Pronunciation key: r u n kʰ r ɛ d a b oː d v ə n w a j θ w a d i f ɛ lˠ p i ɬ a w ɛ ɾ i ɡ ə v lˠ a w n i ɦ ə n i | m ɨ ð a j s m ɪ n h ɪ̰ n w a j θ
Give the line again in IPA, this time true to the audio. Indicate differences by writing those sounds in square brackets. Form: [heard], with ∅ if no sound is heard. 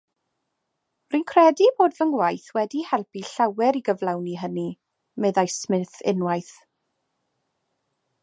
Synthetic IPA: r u n kʰ r ɛ d [i] b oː d v ə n w a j θ w [ɛ] d i [h] ɛ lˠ p i ɬ a w ɛ ɾ i ɡ ə v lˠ a w n i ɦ ə n i | m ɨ ð a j s m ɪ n [θ] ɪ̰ n w a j θ